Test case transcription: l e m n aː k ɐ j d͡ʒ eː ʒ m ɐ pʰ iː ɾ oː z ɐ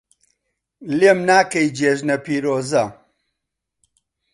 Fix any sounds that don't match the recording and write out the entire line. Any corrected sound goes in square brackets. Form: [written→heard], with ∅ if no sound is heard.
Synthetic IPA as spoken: l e m n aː k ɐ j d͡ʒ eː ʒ [m→n] ɐ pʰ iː ɾ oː z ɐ